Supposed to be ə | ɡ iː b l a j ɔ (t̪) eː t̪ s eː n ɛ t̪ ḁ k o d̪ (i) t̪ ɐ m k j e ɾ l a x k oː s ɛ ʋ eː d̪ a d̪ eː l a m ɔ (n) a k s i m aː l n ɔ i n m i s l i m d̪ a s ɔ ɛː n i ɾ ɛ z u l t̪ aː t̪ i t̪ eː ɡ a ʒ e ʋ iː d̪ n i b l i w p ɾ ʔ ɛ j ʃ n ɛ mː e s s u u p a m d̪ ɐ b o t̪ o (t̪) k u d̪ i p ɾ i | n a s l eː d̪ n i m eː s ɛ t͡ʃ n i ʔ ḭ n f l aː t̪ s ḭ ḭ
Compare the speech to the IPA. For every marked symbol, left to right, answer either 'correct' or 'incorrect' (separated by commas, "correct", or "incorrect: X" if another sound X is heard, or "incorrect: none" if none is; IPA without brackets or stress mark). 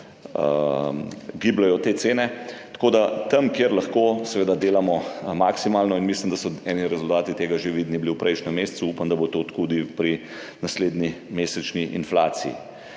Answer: correct, incorrect: a, incorrect: m, correct